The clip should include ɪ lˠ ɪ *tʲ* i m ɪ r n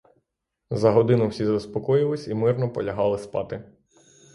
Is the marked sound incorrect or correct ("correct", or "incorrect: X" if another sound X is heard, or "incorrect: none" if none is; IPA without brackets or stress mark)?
incorrect: sʲ